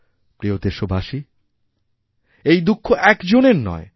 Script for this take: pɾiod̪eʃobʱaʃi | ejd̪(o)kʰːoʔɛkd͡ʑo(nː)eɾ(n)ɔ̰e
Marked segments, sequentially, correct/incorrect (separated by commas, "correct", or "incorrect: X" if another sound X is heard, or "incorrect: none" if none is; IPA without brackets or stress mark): incorrect: u, incorrect: n, correct